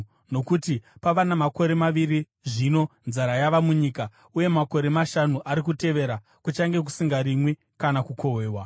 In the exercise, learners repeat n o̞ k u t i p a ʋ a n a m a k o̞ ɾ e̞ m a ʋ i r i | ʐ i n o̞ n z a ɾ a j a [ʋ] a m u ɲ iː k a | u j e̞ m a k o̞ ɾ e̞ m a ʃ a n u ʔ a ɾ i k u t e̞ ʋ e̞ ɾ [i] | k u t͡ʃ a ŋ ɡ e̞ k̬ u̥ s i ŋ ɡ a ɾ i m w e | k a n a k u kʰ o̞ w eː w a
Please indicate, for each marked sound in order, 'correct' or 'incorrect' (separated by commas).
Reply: correct, incorrect